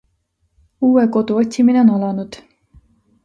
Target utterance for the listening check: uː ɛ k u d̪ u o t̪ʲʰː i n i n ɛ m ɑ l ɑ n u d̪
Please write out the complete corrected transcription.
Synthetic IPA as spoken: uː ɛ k o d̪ u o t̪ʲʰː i m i n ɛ n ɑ l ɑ n u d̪

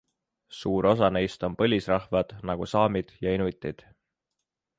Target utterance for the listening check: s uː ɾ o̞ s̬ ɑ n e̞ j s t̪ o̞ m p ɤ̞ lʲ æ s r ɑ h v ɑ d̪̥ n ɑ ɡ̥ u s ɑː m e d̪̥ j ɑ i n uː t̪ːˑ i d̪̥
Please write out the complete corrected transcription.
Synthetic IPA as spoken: s uː ɾ o̞ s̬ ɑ n e̞ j s t̪ o̞ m p ɤ̞ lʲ i s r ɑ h v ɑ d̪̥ n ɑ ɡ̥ u s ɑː m i d̪̥ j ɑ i n u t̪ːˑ i d̪̥

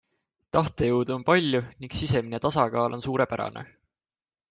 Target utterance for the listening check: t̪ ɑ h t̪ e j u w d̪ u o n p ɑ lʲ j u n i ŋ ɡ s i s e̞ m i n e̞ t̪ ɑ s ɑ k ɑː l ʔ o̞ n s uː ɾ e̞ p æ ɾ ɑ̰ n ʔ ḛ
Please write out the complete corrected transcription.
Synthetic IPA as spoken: t̪ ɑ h t̪ e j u w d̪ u o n p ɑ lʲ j u n i ŋ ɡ s i s e̞ m i n e̞ t̪ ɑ s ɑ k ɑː l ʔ o̞ n s uː ɾ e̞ p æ ɾ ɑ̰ n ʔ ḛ

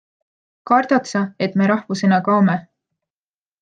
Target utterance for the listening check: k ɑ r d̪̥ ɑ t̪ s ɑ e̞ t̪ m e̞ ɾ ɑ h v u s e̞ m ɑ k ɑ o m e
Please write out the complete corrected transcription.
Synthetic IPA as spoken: k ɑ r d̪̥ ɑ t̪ s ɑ e̞ t̪ m e̞ ɾ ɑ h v u s e̞ n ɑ k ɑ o m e

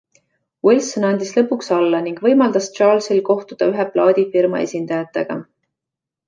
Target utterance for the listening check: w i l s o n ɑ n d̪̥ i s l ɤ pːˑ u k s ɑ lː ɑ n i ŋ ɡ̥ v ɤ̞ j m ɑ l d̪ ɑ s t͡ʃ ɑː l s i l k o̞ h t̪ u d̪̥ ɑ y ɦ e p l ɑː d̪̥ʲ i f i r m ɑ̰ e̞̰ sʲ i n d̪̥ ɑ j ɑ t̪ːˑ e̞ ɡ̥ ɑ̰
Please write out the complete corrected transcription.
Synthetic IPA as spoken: w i l s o n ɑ n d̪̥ i s l ɤ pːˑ u k s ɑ lː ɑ n i ŋ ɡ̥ v ɤ̞ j m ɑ l d̪ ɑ s t͡ʃ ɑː l s i l k o̞ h t̪ u d̪̥ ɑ y ɦ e p l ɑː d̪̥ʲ i f i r m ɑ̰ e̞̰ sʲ i n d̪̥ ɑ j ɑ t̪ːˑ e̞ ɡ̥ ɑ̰

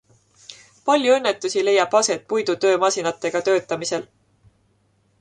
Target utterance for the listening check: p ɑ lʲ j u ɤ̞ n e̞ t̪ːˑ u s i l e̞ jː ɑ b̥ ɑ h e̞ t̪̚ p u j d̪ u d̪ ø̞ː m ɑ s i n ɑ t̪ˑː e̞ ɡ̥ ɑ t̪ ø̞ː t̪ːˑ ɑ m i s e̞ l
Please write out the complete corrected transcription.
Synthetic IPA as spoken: p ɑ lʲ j u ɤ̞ nː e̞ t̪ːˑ u s i l e̞ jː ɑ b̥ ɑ s e̞ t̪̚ p u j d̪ u t̪ ø̞ː m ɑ s i n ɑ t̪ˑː e̞ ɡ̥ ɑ t̪ ø̞ː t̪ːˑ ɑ m i s e̞ l

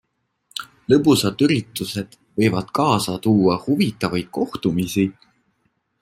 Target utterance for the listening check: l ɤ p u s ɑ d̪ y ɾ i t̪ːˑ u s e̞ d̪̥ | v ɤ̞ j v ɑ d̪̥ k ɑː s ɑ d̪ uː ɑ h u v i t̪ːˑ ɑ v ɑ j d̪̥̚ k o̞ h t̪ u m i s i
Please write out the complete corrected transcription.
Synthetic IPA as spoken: l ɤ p u s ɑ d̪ y ɾ i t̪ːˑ u s e̞ d̪̥ | v ɤ̞ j v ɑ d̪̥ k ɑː s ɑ t̪ uː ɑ h u v i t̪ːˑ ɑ v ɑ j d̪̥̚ k o̞ h t̪ u m i s i

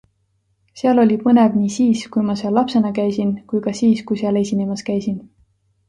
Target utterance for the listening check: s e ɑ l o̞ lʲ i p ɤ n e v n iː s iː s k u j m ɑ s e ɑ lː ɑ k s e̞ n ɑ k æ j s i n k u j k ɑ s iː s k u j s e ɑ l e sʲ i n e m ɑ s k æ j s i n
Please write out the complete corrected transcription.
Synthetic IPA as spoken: s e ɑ l o̞ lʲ i p ɤ n e v n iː s iː s k u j m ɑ s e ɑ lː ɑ p s e̞ n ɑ k æ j s i n k u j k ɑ s iː s k u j s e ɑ l e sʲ i n e m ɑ s k æ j s i n

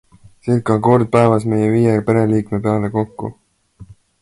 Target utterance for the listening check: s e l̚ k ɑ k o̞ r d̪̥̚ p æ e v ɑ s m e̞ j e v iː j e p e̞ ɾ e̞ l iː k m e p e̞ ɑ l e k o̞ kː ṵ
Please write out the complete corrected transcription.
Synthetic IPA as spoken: s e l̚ k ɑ k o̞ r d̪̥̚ p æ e v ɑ s m e̞ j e v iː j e p e̞ ɾ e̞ l iː k m e p e̞ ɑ l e k o̞ kː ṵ

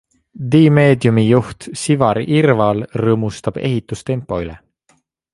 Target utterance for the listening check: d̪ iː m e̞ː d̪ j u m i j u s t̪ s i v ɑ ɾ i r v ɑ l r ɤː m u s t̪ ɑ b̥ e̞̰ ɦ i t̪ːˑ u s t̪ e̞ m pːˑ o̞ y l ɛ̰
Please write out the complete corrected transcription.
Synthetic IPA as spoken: d̪ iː m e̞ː d̪ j u m i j u h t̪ s i v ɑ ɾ i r v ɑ l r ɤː m u s t̪ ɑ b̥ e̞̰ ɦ i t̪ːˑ u s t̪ e̞ m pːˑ o̞ y l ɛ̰

